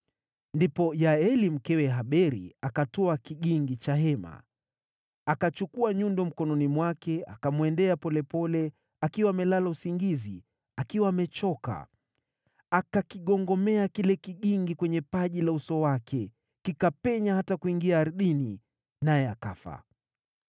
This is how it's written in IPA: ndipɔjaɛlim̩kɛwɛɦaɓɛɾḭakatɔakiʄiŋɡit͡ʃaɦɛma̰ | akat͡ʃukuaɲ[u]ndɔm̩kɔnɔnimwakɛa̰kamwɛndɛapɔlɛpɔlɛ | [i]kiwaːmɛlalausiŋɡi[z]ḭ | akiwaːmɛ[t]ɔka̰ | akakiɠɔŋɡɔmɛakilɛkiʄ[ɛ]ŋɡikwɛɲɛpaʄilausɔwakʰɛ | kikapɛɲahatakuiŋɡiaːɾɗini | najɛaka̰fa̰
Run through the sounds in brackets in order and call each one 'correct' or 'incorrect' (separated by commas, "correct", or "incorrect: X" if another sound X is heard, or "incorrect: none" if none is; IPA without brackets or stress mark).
correct, incorrect: a, correct, incorrect: t͡ʃ, incorrect: i